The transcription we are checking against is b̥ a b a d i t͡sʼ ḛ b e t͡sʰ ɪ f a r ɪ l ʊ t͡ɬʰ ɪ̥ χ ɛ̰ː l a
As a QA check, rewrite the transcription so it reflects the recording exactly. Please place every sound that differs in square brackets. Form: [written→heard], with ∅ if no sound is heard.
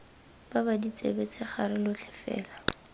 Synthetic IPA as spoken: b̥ a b a d i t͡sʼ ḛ b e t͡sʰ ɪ [f→χ] a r ɪ l ʊ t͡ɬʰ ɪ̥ [χ→f] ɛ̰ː l a

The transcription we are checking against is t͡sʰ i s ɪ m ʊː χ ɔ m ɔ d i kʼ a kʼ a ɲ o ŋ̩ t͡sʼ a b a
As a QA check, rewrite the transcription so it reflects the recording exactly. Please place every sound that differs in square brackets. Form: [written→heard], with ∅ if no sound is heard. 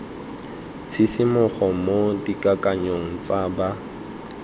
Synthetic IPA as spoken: t͡sʰ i s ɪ m [ʊː→ʊ] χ ɔ m [ɔ→o] d i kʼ a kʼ a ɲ o ŋ̩ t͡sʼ a b a

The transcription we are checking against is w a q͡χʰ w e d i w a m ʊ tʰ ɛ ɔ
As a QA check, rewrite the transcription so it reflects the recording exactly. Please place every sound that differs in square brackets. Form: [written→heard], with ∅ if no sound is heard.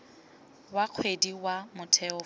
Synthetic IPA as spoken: w a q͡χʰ w e d i w a m ʊ tʰ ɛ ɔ

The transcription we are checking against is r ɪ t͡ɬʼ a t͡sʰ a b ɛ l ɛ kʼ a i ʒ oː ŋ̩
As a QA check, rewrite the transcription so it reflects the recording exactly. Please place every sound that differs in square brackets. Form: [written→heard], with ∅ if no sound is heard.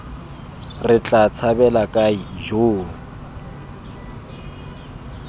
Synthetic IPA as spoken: r ɪ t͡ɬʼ a t͡sʰ a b ɛ l [ɛ→a] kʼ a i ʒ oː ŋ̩

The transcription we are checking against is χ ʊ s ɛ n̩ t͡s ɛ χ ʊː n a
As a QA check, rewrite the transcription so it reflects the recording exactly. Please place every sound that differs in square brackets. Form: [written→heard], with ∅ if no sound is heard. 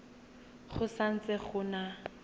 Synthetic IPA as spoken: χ ʊ s [ɛ→a] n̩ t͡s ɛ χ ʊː n a

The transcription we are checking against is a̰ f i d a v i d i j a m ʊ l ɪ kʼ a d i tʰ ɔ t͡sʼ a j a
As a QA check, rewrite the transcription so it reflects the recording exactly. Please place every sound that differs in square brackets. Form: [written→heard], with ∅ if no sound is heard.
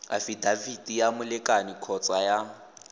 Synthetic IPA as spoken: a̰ f i d a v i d i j a m ʊ l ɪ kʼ a [d→n] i [tʰ→kʰ] ɔ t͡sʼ a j a

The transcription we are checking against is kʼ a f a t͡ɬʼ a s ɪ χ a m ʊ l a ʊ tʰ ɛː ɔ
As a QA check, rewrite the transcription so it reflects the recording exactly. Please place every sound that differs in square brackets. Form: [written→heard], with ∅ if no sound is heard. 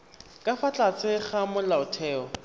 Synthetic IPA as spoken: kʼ a f a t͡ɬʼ a [s→t͡s] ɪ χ a m ʊ l a ʊ tʰ ɛː ɔ

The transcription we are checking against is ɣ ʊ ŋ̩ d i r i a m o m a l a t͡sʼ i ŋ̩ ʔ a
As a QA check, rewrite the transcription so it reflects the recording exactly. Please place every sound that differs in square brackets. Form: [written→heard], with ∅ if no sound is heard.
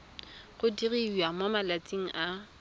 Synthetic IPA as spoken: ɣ ʊ [ŋ̩→∅] d i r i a m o m a l a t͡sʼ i ŋ̩ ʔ a

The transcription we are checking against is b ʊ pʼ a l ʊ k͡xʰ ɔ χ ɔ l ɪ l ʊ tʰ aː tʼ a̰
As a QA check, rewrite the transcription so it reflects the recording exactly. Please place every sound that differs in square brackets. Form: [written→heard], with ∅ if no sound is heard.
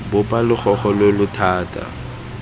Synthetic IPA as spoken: b ʊ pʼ a l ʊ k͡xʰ ɔ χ ɔ l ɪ l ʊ tʰ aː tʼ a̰

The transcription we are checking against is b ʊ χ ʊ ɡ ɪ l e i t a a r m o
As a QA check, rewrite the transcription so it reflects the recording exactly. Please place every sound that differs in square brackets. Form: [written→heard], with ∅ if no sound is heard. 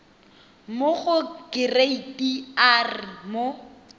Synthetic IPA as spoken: [b→m] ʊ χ ʊ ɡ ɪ [l→r] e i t [a→i] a r m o

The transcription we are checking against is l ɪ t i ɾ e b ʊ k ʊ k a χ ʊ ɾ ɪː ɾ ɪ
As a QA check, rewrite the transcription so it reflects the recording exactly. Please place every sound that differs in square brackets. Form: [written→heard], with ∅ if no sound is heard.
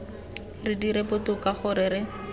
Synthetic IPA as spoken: [l→r] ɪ [t→d] i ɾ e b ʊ [k→t] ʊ k a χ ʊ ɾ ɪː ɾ ɪ

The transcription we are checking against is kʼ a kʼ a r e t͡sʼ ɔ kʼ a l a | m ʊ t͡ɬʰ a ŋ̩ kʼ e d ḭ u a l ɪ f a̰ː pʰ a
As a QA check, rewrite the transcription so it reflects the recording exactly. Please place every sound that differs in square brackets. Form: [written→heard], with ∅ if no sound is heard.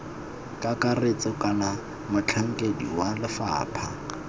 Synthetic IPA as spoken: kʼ a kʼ a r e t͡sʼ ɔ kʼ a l a | m ʊ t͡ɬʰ a ŋ̩ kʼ e d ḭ [u→w] a l ɪ f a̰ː pʰ a

